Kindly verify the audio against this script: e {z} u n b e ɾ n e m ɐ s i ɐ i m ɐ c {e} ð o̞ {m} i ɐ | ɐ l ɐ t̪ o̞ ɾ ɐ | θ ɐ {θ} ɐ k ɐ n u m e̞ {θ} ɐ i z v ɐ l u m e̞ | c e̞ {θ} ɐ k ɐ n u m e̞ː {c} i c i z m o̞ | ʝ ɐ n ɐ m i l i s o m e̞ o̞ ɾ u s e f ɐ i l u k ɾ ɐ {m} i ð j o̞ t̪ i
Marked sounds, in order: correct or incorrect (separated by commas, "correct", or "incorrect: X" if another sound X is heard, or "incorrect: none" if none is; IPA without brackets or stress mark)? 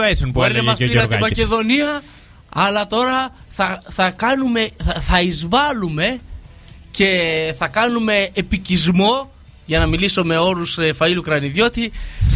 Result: incorrect: s, correct, incorrect: n, correct, correct, correct, incorrect: p, incorrect: n